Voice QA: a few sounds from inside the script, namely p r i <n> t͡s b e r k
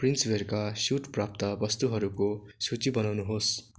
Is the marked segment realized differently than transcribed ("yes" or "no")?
no